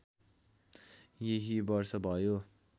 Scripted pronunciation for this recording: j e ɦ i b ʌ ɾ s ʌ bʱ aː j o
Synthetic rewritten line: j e ɦ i b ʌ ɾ s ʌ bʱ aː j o